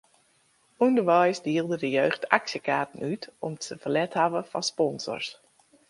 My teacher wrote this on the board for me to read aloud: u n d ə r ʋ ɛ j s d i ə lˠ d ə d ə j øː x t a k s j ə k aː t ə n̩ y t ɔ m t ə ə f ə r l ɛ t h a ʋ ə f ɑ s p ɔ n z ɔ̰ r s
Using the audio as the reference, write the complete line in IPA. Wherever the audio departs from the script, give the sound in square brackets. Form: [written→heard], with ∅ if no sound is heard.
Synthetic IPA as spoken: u n d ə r ʋ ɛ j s d i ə lˠ d ə d ə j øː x t a k s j ə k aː t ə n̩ y t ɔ m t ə ə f ə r l ɛ t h a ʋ ə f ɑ s p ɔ n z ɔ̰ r s

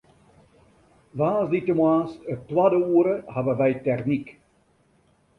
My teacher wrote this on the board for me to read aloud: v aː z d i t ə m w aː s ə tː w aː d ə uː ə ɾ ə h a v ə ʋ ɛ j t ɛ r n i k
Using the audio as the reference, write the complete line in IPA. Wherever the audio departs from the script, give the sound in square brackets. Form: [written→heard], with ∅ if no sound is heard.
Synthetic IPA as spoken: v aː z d i t ə m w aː s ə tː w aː d ə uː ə ɾ ə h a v ə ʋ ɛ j t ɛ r n i k

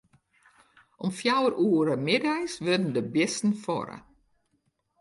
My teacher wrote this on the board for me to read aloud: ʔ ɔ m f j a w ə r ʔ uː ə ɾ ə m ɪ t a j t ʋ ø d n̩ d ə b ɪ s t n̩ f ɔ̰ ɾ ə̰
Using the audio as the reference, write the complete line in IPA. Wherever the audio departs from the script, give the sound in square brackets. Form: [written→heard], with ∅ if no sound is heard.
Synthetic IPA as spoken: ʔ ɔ m f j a w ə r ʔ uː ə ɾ ə m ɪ [t→d] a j [t→s] ʋ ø d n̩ d ə b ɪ s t n̩ f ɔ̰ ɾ ə̰

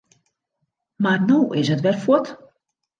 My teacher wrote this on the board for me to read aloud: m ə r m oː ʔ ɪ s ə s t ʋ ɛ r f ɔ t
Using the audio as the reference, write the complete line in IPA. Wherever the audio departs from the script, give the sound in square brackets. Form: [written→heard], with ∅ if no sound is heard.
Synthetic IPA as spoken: m [ə→a] r [m→n] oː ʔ ɪ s ə [s→∅] t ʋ ɛ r f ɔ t

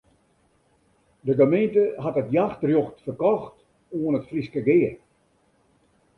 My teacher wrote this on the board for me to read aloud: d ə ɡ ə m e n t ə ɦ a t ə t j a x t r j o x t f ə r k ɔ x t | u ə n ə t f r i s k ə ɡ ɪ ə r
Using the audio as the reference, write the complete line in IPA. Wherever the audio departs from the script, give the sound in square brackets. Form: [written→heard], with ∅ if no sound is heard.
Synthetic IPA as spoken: d ə ɡ ə m e n t ə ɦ a t ə t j a x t r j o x t f ə r k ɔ x t | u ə n ə t f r i s k ə ɡ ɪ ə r

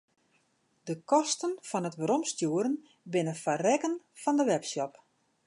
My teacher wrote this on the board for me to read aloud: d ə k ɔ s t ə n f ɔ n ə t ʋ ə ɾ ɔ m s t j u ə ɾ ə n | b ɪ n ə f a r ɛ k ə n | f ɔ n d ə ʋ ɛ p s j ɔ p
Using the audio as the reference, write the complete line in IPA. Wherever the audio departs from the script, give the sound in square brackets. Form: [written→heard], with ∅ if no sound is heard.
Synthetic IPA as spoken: d ə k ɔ s t ə n f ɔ n ə t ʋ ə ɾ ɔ m s t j u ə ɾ ə n | b ɪ n ə f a r ɛ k ə n | f ɔ n d ə ʋ ɛ p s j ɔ p

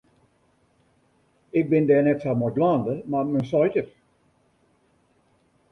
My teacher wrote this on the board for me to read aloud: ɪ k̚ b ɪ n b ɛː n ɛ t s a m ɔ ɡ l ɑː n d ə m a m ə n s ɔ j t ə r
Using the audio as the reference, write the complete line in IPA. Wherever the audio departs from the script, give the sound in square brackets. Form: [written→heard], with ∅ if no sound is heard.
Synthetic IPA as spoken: ɪ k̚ b ɪ n [b→d] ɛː n ɛ t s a m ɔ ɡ l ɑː n d ə m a m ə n s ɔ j t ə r

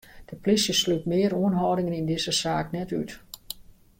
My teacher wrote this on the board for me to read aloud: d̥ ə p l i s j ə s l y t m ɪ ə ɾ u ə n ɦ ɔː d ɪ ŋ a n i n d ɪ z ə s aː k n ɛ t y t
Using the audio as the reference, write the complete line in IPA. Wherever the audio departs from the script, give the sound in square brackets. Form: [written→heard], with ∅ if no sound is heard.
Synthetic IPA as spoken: d̥ ə p l i s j ə s l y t m ɪ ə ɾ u ə n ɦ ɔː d ɪ ŋ [a→ə] n i n d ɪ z ə s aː k n ɛ t y t

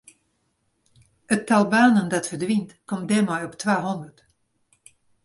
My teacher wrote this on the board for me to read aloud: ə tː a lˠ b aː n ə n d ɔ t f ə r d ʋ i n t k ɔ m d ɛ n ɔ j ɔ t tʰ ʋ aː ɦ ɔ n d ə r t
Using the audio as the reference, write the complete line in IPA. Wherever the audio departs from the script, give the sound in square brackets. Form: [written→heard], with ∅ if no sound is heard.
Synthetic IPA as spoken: ə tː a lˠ b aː n ə n d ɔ t f ə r d ʋ i n t k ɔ m d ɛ [n→m] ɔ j ɔ [t→p] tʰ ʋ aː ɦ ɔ n d ə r t

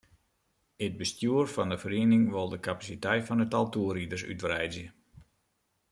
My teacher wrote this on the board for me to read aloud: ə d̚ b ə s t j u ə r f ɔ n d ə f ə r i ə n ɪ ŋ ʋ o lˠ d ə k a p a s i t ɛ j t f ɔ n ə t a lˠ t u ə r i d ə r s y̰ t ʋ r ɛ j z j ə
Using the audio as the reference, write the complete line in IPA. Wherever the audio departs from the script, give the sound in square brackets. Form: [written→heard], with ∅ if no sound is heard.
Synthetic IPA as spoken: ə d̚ b ə s t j u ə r f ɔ n d ə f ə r i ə n ɪ ŋ ʋ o lˠ d ə k a p a s i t ɛ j t f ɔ n ə t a lˠ t u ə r i d ə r s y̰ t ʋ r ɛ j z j ə

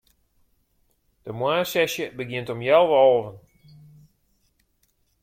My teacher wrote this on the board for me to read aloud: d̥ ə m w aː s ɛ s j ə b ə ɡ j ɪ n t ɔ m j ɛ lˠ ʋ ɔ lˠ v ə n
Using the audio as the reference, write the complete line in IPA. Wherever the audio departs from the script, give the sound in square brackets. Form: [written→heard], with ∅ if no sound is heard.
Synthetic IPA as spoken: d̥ ə m w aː s ɛ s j ə b ə ɡ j ɪ n t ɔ m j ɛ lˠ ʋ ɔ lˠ v ə n

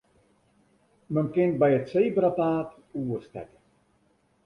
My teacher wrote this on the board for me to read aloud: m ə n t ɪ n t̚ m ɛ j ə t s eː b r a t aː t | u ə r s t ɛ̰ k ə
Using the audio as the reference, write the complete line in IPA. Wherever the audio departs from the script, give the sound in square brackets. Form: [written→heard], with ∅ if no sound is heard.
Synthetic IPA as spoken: m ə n [t→k] ɪ n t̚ [m→b] ɛ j ə t s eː b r a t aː t | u ə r s t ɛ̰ k ə

